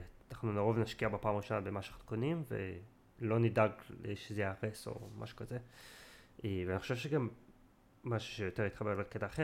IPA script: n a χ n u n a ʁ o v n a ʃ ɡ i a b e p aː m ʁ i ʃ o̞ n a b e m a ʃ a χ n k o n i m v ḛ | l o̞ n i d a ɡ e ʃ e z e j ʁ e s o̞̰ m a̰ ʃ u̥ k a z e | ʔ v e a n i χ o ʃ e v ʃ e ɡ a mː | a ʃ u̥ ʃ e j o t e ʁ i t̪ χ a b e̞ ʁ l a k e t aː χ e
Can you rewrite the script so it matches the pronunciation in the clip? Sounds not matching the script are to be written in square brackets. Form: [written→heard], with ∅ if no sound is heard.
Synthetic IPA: n a χ n u n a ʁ o v n a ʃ [ɡ→k] i a b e p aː m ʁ i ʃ o̞ n a b e m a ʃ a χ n k o n i m v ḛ | l o̞ n i d a ɡ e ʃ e z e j ʁ e s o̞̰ m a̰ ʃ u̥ k a z e | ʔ v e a n i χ o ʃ e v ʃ e ɡ a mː | a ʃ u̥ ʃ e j o t e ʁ i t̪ χ a b e̞ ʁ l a k e t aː χ e